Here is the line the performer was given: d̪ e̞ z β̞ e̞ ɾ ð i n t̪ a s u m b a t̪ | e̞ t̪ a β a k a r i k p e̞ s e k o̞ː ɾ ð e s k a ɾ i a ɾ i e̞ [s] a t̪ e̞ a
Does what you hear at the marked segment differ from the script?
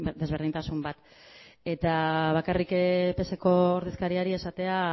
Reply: no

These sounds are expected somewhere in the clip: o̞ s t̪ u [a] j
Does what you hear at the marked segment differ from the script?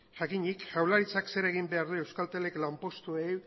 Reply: yes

